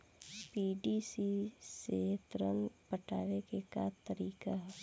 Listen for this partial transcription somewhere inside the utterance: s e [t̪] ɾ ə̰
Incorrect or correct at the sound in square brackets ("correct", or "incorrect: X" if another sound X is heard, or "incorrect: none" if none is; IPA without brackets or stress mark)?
correct